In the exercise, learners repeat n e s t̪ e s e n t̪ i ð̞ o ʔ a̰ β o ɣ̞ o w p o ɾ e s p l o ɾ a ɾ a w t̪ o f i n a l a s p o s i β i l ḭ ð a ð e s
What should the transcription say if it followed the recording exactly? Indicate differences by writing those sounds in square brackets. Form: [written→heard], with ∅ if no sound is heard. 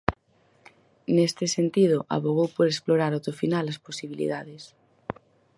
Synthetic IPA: n e s t̪ e s e n t̪ i ð̞ o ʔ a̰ β o ɣ̞ o w p o ɾ e s p l o ɾ a ɾ a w t̪ o f i n a l a s p o s i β i l ḭ ð a ð e s